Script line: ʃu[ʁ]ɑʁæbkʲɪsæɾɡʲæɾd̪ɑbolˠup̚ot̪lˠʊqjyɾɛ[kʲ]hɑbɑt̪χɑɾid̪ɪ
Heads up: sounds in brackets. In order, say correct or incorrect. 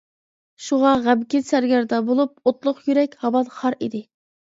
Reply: correct, correct

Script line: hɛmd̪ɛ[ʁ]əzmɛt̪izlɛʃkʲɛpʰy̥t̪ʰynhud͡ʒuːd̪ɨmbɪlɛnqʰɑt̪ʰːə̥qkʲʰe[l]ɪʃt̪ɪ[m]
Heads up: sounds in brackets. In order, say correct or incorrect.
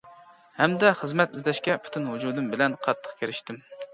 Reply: incorrect: χ, incorrect: ɾ, correct

